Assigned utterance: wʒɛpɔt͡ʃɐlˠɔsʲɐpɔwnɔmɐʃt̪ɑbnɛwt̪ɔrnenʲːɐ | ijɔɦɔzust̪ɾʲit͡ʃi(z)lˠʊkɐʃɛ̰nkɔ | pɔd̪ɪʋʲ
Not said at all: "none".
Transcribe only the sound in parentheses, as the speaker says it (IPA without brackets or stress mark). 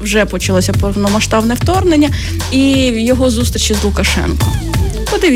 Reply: z